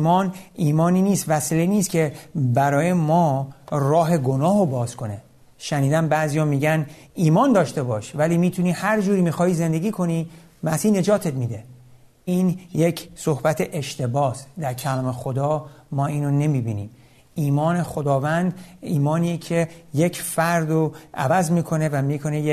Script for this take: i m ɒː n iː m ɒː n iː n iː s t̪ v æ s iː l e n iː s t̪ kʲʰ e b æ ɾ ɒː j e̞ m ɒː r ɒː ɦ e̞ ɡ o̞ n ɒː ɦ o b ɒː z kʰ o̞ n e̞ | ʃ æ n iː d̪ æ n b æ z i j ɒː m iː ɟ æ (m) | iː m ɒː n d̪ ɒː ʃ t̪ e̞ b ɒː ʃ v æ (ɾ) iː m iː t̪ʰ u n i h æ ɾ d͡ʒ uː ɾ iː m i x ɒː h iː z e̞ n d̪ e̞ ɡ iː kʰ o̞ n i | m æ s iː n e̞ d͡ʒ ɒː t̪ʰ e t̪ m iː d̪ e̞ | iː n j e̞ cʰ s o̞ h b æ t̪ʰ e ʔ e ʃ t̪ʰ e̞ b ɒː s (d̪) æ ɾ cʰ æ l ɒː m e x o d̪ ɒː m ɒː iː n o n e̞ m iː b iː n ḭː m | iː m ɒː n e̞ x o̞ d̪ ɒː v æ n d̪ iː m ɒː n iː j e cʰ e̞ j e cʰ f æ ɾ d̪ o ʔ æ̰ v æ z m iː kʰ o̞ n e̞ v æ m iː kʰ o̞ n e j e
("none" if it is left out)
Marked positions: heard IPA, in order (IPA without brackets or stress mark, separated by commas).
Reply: n, l, d̪